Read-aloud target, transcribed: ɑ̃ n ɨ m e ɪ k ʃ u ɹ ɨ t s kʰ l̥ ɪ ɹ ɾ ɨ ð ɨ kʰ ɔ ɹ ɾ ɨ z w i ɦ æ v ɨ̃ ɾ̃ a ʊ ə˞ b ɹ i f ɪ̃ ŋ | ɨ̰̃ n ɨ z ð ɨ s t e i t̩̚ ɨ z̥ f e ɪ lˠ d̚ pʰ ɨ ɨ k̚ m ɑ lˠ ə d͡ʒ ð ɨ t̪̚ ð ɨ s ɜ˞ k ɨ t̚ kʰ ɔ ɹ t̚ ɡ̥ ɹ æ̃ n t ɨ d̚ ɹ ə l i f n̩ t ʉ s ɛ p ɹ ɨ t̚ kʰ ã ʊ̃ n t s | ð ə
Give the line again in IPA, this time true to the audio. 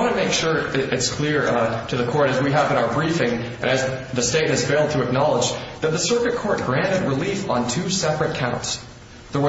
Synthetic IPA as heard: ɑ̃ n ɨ m e ɪ k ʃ ʊ ɹ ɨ t s kʰ l̥ ɪ ɹ ɾ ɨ ð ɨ kʰ ɔ ɹ ɾ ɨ z w i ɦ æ v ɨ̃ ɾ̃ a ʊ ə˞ b ɹ i f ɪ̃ ŋ | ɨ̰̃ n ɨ z ð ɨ s t e ɪ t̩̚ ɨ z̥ f e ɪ lˠ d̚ tʰ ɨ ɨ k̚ n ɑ lˠ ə d͡ʒ ð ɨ t̪̚ ð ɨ s ɜ˞ k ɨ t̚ kʰ ɔ ɹ t̚ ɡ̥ ɹ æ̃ n t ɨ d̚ ɹ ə l i f n̩ tʰ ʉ s ɛ p ɹ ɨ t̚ kʰ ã ʊ̃ n t s | ð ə

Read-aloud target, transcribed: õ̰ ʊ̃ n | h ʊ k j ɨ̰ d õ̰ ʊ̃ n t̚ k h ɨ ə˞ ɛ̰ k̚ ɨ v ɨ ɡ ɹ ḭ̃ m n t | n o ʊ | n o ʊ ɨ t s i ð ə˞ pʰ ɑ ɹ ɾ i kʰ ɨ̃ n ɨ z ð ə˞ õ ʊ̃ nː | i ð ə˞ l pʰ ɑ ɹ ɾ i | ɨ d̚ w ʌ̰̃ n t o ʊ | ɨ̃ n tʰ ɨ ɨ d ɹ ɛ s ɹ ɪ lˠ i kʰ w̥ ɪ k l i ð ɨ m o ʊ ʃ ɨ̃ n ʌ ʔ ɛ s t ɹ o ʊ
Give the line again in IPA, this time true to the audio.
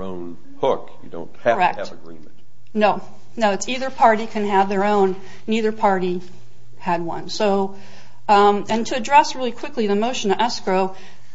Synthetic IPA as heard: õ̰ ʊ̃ n | h ʊ k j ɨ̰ d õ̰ ʊ̃ n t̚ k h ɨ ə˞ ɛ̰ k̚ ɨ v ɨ ɡ ɹ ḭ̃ m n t | n o ʊ | n o ʊ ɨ t s i ð ə˞ pʰ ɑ ɹ ɾ i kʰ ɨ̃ n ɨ v ð ə˞ õ ʊ̃ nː | i ð ə˞ pʰ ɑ ɹ ɾ i | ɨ d̚ w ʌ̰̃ n s o ʊ | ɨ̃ n tʰ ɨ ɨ d ɹ ɛ s ɹ ɪ lˠ i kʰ w̥ ɪ k l i ð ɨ m o ʊ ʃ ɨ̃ n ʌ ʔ ɛ s k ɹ o ʊ

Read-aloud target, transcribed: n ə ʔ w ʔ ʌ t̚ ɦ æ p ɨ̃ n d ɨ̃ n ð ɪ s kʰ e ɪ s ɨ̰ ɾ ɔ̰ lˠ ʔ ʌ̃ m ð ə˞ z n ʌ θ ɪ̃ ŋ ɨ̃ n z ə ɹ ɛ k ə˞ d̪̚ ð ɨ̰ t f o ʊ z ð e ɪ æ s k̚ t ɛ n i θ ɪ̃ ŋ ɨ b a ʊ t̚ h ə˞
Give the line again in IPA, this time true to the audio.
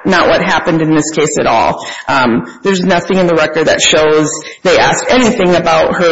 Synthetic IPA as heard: n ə ʔ w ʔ ʌ t̚ ɦ æ p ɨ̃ n d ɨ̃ n ð ɪ s kʰ e ɪ s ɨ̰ ɾ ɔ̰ lˠ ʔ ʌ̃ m ð ə˞ z n ʌ θ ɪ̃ ŋ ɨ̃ n ð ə ɹ ɛ k ə˞ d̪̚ ð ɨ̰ t ʃ o ʊ z ð e ɪ æ s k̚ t ɛ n i θ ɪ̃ ŋ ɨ b a ʊ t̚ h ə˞

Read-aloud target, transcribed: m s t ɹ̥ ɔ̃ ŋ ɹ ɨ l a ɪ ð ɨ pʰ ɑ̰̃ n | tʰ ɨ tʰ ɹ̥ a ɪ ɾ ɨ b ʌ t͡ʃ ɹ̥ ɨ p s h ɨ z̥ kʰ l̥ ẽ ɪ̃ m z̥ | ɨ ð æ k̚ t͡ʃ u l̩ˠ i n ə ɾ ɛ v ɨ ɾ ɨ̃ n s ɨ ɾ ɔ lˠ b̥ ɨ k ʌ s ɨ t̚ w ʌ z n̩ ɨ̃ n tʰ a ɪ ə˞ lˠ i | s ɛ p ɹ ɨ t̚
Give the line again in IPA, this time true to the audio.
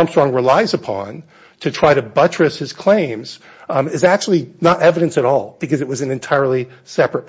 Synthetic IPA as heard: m s t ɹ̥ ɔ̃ ŋ ɹ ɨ l a ɪ z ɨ pʰ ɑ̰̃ n | tʰ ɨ tʰ ɹ̥ a ɪ ɾ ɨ b ʌ t͡ʃ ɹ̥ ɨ s h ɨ z̥ kʰ l̥ ẽ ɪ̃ m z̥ | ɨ z æ k̚ t͡ʃ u l̩ˠ i n ə ɾ ɛ v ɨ ɾ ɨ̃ n s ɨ ɾ ɔ lˠ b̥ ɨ k ʌ z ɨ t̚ w ʌ z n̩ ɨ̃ n tʰ a ɪ ə˞ lˠ i | s ɛ p ɹ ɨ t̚

